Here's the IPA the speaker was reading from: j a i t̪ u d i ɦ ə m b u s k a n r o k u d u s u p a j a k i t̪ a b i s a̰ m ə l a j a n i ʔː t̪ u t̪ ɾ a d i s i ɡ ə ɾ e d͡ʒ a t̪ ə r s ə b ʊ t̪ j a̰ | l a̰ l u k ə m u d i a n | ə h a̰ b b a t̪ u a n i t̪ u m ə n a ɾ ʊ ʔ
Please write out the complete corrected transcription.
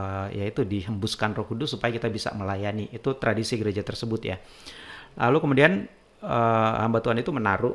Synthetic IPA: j a i t̪ u d i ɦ ə m b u s k a n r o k u d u s u p a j a k i t̪ a b i s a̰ m ə l a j a n i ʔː t̪ u t̪ ɾ a d i s i ɡ ə ɾ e d͡ʒ a t̪ ə r s ə b ʊ t̪ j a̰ | l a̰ l u k ə m u d i a n | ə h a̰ m b a t̪ u a n i t̪ u m ə n a ɾ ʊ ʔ